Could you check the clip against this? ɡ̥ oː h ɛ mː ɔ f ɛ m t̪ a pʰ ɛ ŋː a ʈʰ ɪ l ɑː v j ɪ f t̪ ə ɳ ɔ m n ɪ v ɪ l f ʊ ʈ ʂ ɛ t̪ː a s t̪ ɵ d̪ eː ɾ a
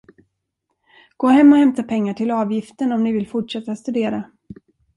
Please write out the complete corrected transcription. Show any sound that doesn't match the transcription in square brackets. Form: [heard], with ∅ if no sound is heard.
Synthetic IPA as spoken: ɡ̥ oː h ɛ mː ɔ [h] ɛ m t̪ a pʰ ɛ ŋː a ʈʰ ɪ l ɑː v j ɪ f t̪ ə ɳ ɔ m n ɪ v ɪ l f ʊ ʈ ʂ ɛ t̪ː a s t̪ ɵ d̪ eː ɾ a